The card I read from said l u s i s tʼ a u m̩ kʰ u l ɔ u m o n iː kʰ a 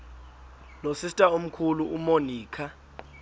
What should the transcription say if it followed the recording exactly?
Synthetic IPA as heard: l o s i s tʼ a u m̩ kʰ u l u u m o n iː kʰ a